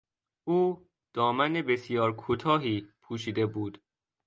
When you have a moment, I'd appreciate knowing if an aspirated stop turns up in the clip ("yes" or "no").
yes